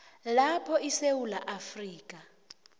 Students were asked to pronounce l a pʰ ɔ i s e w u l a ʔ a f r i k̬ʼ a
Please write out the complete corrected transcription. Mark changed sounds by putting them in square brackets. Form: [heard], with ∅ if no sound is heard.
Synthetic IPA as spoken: l a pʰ ɔ i s e w u l a ʔ a f r [iː] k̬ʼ a